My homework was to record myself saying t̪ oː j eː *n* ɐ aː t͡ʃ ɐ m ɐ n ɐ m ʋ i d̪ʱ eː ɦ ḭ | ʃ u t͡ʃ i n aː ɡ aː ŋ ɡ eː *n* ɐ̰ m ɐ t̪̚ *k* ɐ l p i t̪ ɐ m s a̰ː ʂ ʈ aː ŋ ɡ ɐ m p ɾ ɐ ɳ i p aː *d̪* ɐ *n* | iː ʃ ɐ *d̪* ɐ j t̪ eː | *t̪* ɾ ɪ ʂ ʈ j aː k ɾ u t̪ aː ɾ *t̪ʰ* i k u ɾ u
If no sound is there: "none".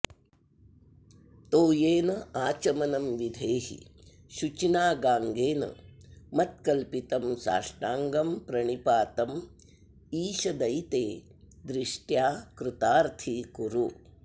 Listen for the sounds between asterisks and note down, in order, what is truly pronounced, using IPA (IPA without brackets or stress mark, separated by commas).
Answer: n, n, k, t̪, m, d̪, d̪, t̪ʰ